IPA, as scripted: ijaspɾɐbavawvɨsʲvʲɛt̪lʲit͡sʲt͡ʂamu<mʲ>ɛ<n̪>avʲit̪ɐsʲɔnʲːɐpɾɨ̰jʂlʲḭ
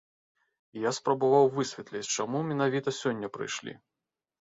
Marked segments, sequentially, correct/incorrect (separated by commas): correct, correct